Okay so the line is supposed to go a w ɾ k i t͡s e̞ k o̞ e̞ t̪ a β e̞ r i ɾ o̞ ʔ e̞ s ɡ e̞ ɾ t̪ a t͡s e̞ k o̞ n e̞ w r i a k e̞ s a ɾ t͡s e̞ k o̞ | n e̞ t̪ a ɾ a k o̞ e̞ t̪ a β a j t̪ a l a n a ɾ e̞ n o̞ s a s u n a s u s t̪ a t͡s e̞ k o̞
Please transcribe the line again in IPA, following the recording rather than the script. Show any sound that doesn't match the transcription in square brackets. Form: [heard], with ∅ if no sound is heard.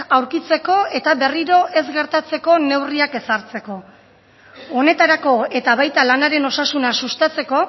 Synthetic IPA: a w ɾ k i t͡s e̞ k o̞ e̞ t̪ a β e̞ r i ɾ o̞ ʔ e̞ [z] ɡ e̞ ɾ t̪ a t͡s e̞ k o̞ n e̞ w r i a k e̞ s a ɾ t͡s e̞ k o̞ | n e̞ t̪ a ɾ a k o̞ e̞ t̪ a β a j t̪ a l a n a ɾ e̞ n o̞ s a s u n a s u s t̪ a t͡s e̞ k o̞